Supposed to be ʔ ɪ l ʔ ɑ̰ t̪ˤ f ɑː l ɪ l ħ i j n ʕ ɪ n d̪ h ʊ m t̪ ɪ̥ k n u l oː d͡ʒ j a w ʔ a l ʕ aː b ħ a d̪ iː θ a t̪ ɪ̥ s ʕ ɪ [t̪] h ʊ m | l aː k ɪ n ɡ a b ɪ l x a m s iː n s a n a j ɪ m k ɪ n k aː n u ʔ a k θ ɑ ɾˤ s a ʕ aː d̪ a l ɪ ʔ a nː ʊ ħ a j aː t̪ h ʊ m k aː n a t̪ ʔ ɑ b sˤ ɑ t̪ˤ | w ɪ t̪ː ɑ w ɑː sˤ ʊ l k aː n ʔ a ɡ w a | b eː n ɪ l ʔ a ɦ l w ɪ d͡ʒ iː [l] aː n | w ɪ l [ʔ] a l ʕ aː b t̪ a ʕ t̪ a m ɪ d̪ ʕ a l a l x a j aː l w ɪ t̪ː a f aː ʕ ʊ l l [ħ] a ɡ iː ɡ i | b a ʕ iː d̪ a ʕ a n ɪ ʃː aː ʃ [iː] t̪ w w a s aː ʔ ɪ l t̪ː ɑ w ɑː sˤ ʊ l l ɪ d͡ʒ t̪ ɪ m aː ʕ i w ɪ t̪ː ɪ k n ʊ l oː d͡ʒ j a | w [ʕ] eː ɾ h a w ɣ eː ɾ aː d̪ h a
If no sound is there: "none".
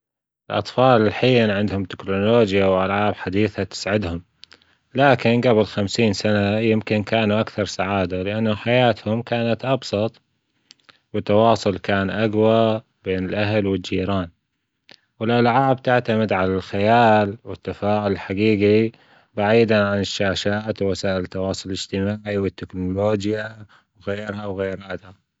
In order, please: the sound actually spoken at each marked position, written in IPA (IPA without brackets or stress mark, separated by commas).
d̪, ɾ, ʔ, ħ, aː, ɣ